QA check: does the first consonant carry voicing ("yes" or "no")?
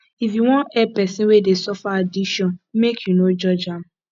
no